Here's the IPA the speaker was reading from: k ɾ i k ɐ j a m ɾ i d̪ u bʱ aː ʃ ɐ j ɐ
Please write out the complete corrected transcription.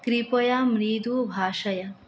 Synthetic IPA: k ɾ i p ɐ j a m ɾ i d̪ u bʱ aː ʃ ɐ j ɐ